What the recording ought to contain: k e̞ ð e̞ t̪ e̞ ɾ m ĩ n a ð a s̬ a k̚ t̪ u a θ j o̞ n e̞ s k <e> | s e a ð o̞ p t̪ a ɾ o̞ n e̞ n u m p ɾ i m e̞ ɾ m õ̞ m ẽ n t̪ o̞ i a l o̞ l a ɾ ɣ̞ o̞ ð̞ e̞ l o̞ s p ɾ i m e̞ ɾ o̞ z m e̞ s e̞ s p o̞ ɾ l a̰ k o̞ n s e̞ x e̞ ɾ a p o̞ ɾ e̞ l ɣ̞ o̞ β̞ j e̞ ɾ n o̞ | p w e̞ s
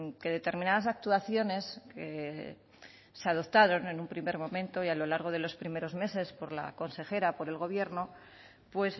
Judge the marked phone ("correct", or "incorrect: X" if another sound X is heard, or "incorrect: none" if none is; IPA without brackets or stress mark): correct